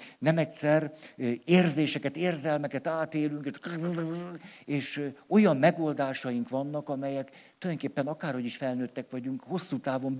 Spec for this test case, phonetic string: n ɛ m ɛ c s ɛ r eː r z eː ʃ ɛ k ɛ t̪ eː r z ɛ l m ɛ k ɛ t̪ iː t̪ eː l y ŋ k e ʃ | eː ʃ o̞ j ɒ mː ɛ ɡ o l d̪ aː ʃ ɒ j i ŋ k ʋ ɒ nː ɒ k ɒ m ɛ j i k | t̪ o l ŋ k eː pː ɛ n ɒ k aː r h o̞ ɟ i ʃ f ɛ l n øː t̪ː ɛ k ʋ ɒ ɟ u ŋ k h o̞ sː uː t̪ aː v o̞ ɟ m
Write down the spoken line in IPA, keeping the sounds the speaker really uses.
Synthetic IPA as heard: n ɛ m ɛ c s ɛ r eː r z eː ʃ ɛ k ɛ t̪ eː r z ɛ l m ɛ k ɛ t̪ aː t̪ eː l y ŋ k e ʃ | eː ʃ o̞ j ɒ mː ɛ ɡ o l d̪ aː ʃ ɒ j i ŋ k ʋ ɒ nː ɒ k ɒ m ɛ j ɛ k | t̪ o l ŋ k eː pː ɛ n ɒ k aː r h o̞ ɟ i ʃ f ɛ l n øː t̪ː ɛ k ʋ ɒ ɟ u ŋ k h o̞ sː uː t̪ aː v o̞ m